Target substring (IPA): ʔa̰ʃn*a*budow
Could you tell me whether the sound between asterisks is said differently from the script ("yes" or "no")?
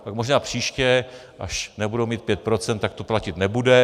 yes